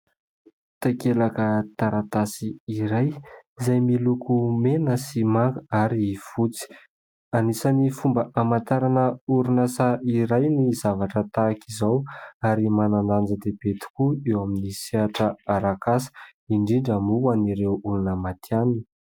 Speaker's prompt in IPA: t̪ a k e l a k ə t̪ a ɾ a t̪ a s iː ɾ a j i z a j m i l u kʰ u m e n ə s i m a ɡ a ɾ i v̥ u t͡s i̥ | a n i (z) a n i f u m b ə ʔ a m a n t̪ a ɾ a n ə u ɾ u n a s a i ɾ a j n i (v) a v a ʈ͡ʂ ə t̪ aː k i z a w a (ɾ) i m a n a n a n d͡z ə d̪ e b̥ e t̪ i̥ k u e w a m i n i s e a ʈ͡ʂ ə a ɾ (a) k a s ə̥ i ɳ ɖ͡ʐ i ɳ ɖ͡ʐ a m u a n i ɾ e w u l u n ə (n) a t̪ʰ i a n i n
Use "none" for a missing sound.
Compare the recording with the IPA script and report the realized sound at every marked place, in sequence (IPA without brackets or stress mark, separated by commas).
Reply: s, z, ɾ, a, m